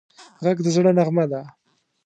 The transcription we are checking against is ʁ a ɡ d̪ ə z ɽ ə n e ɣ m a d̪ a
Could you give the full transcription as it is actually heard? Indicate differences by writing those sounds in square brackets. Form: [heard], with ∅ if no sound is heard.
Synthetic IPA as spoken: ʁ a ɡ d̪ ə z ɽ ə n [a] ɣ m a d̪ a